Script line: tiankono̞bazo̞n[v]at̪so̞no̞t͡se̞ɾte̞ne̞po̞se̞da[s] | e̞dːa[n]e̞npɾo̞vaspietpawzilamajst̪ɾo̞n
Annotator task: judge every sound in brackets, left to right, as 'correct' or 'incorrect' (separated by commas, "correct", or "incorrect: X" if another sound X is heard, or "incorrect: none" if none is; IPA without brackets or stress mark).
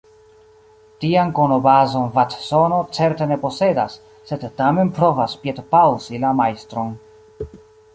correct, incorrect: sː, incorrect: m